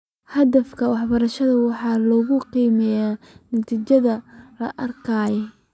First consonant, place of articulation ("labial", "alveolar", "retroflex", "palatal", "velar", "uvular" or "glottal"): glottal